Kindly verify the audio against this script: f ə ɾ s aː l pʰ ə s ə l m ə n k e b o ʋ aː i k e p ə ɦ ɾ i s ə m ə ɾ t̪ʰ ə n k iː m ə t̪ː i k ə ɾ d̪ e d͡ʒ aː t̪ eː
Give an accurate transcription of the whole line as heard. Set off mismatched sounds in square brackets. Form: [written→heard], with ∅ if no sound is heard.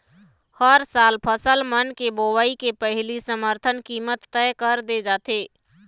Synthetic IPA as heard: [f→h] ə ɾ s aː l pʰ ə s ə l m ə n k e b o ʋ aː i k e p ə ɦ [ɾ→l] i s ə m ə ɾ t̪ʰ ə n k iː m ə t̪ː [i→ɛ] k ə ɾ d̪ e d͡ʒ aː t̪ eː

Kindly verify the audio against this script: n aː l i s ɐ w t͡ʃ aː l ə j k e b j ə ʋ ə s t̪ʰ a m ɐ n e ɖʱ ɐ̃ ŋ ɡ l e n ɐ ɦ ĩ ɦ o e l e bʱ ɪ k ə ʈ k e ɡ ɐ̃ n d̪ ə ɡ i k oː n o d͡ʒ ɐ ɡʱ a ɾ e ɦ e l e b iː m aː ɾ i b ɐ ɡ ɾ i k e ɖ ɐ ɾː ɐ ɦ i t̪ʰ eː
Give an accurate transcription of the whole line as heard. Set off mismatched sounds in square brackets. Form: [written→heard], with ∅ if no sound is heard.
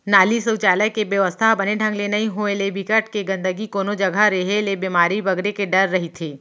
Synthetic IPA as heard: n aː l i s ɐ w t͡ʃ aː l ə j k e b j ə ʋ ə s t̪ʰ a [m→b] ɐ n e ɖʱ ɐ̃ ŋ ɡ l e n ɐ ɦ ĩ ɦ o e l e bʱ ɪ k ə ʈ k e ɡ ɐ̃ n d̪ ə ɡ i k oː n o d͡ʒ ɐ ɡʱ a ɾ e ɦ e l e b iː m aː ɾ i b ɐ ɡ ɾ [i→e] k e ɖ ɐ ɾː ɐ ɦ i t̪ʰ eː

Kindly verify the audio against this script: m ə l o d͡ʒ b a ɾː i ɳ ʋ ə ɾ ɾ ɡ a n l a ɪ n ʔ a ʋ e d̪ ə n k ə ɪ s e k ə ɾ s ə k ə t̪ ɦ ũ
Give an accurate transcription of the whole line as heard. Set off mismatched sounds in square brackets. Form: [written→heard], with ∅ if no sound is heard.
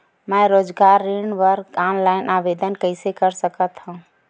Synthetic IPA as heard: m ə [l→ɾ] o d͡ʒ [b→ɡ] a ɾː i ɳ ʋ ə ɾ ɾ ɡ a n l a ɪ n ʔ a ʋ e d̪ ə n k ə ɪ s e k ə ɾ s ə k ə t̪ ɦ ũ

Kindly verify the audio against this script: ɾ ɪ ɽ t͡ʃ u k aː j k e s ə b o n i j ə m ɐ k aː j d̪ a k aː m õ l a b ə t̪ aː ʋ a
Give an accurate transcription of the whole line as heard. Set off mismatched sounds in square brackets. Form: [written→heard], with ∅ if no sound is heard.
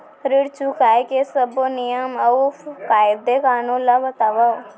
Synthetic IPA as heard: ɾ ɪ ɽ t͡ʃ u k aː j k e s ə b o n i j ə m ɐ k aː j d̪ [a→e] k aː [m→n] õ l a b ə t̪ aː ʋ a

